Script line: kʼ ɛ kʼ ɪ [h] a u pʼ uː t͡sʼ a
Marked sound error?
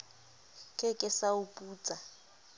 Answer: yes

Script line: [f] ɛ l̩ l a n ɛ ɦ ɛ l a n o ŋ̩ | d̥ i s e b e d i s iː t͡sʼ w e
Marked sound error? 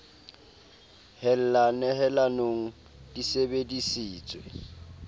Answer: yes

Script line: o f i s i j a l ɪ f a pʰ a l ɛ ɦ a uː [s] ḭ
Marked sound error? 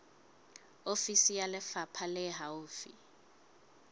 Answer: yes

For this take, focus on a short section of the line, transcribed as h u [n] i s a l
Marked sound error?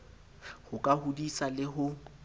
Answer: yes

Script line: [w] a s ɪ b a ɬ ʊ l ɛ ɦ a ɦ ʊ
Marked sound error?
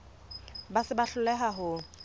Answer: yes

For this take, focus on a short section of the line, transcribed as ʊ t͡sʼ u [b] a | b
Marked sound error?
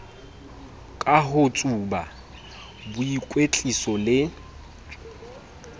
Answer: no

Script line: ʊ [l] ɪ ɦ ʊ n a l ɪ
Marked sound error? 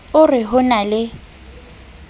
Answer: yes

